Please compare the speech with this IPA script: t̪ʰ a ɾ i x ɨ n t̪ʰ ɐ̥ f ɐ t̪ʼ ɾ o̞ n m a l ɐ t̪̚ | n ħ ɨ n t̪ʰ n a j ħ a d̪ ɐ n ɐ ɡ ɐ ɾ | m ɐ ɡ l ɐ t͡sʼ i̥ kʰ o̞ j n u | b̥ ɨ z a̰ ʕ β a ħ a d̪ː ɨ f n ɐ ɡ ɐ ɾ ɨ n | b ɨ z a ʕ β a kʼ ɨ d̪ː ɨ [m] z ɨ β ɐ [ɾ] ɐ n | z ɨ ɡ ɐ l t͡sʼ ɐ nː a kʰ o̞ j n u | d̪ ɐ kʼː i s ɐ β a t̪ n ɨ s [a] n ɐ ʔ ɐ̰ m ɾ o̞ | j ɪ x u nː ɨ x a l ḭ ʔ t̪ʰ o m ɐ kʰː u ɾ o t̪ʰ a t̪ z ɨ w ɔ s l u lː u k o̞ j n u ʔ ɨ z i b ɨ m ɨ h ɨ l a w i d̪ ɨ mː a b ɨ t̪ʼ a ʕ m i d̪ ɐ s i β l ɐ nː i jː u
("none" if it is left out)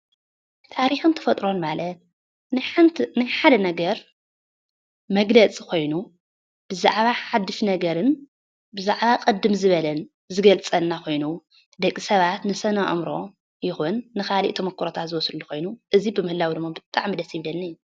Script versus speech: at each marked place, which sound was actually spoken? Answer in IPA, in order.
m, l, ɐ

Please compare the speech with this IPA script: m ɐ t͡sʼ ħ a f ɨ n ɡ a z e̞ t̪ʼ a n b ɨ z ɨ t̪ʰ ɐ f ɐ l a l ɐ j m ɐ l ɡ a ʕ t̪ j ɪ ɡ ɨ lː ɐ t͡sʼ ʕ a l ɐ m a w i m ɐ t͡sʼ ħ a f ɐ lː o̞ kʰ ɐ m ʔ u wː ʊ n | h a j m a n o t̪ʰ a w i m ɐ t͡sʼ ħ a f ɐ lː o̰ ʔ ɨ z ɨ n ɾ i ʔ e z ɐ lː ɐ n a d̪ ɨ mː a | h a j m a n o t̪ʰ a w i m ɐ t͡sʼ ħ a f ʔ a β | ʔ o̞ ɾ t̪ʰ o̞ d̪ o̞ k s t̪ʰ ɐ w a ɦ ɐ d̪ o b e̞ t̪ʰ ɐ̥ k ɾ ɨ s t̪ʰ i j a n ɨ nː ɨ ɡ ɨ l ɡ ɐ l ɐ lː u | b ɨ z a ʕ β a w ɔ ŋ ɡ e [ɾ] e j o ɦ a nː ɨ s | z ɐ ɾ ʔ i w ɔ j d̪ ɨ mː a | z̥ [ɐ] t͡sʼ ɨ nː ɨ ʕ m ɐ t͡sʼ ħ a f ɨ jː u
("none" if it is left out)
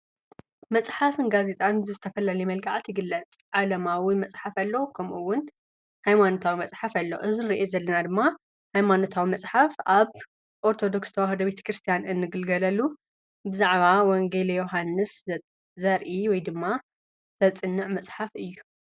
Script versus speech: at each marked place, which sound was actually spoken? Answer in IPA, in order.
l, ɐ

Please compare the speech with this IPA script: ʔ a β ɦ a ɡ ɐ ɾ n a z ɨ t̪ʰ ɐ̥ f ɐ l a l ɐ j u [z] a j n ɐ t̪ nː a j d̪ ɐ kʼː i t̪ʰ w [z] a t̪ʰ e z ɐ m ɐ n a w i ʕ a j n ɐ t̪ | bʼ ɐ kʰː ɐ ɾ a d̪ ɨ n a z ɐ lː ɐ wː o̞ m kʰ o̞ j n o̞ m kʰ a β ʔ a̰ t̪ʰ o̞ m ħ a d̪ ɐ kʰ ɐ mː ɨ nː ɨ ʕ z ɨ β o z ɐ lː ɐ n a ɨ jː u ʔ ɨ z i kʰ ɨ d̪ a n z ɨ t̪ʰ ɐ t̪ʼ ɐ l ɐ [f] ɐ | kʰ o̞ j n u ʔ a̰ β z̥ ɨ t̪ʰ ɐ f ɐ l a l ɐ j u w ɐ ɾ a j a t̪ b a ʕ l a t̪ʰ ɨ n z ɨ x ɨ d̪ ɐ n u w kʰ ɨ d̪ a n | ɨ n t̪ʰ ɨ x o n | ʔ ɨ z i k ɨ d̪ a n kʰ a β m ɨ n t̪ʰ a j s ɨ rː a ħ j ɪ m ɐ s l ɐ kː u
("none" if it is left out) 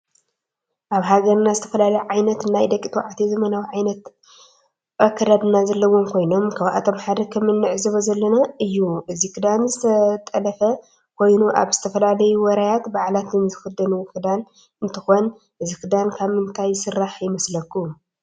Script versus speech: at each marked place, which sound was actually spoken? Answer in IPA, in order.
ʕ, ʕ, f

